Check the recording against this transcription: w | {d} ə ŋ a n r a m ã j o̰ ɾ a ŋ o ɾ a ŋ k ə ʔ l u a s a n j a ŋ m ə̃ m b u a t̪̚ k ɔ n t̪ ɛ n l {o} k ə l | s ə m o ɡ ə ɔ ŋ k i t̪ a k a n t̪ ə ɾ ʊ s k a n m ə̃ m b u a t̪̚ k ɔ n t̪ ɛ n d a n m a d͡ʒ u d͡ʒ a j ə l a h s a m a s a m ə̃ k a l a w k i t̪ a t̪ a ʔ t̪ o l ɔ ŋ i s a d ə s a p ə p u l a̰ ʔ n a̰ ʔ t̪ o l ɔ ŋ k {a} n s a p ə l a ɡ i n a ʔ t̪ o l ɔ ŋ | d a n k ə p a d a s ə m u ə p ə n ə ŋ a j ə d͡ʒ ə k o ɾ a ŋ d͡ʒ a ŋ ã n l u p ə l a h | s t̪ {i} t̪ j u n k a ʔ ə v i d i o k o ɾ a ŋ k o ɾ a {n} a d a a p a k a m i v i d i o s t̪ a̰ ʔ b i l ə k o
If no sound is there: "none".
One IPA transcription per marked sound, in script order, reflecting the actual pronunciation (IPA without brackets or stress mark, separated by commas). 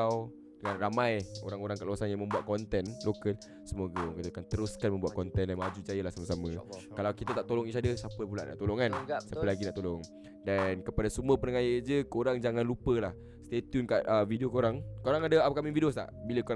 d, o, a, e, ŋ